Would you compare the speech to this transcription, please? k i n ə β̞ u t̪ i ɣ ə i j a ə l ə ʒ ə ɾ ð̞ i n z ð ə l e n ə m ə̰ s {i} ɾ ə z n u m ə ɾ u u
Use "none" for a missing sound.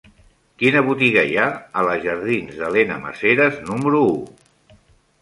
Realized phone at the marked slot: e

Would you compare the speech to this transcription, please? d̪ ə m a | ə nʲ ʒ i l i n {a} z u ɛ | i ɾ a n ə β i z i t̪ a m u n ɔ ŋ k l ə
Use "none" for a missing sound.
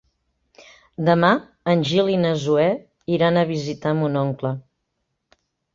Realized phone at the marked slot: ə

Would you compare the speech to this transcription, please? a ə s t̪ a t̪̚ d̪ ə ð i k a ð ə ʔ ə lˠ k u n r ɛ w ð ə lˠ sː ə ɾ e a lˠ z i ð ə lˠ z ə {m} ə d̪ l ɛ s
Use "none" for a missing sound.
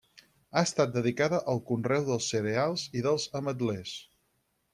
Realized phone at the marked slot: m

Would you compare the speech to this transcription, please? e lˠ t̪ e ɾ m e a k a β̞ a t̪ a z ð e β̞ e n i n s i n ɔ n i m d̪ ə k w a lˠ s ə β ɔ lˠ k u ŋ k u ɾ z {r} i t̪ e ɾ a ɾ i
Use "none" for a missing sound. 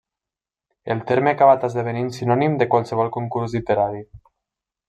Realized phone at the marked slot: l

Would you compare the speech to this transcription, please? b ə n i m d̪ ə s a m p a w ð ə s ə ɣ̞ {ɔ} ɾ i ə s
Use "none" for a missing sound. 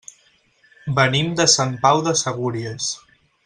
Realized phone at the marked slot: u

